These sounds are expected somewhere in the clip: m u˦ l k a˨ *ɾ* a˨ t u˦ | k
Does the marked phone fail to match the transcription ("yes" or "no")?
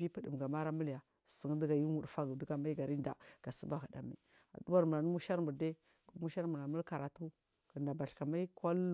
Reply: no